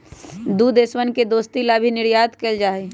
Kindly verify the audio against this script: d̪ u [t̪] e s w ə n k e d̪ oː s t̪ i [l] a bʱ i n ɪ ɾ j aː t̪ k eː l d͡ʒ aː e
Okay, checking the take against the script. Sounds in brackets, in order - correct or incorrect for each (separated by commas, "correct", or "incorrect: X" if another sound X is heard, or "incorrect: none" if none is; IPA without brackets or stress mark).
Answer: incorrect: d̪, correct